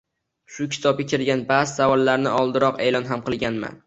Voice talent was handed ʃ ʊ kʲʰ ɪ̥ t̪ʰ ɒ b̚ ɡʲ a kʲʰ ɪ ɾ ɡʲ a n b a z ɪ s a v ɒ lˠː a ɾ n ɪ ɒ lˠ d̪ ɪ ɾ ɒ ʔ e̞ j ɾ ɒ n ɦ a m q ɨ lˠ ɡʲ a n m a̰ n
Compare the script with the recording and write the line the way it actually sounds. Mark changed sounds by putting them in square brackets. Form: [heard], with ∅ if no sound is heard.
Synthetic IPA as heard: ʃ ʊ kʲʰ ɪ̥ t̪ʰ ɒ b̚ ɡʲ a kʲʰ ɪ ɾ ɡʲ a n b a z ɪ s a v ɒ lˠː a ɾ n ɪ ɒ lˠ d̪ ɪ ɾ ɒ [q] e̞ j [l] ɒ n ɦ a m q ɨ lˠ ɡʲ a n m a̰ n